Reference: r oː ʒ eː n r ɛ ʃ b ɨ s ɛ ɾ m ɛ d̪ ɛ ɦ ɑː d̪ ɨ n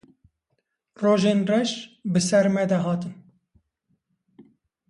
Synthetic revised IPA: r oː ʒ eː n r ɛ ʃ b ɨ s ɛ ɾ m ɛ d̪ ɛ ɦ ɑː t̪ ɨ n